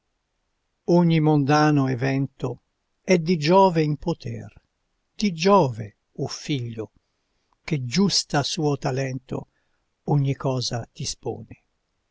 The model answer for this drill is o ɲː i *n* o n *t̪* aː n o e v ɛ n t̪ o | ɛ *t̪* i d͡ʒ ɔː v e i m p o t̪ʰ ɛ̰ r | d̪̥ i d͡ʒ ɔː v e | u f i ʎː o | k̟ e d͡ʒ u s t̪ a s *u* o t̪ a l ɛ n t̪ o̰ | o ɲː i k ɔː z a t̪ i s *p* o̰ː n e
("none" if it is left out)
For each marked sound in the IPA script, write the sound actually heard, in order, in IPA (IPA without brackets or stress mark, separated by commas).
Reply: m, d̪, d̪, uː, p